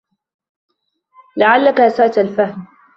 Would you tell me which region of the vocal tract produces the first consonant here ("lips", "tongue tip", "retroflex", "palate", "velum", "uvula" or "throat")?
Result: tongue tip